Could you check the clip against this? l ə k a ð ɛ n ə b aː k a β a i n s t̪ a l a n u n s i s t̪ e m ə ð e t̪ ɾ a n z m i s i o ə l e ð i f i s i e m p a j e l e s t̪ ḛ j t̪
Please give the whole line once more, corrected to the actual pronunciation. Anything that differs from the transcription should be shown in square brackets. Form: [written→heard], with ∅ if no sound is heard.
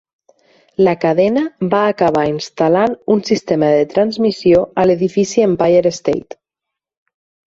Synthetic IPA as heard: l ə k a ð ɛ n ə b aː k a β a i n s t̪ a l a n u n s i s t̪ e m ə ð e t̪ ɾ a n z m i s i o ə l e ð i f i s i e m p a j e [l→ɾ] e s t̪ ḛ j t̪